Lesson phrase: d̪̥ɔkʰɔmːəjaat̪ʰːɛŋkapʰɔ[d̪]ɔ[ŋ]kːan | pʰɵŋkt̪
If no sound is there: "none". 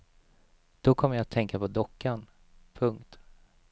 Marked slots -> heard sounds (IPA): d̪, none

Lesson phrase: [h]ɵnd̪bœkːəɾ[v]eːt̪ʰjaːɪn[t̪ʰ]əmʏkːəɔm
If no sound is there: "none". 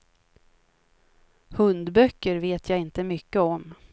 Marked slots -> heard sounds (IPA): h, v, t̪

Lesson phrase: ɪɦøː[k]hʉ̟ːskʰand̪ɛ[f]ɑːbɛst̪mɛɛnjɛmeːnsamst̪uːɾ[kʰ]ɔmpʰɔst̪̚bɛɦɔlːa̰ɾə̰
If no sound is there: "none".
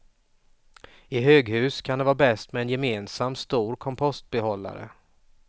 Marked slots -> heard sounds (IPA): ɡ, v, kʰ

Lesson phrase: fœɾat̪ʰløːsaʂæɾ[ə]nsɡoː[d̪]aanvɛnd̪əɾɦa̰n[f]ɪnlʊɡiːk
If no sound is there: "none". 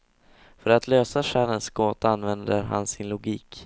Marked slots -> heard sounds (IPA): ə, t̪, s

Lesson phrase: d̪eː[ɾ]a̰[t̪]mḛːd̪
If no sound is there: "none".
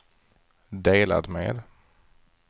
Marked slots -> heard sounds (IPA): l, d̪

